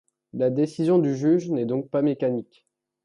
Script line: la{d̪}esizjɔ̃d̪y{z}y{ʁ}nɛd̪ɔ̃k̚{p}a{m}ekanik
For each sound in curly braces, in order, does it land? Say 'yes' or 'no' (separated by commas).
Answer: yes, no, no, yes, yes